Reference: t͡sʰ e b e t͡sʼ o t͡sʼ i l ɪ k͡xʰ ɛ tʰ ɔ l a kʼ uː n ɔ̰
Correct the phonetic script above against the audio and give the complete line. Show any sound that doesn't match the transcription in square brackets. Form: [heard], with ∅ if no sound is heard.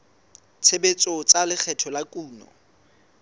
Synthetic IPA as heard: t͡sʰ e b e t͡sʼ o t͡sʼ [a] l ɪ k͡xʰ ɛ tʰ ɔ l a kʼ uː n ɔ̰